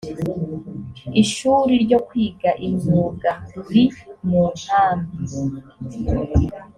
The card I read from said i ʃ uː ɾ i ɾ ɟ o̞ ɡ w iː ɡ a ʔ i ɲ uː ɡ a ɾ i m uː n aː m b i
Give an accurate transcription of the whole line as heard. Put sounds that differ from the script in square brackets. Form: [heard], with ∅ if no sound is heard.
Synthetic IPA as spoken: i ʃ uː ɾ i ɾ ɟ o̞ [k] w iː ɡ a ʔ i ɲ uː ɡ a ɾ i m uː n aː m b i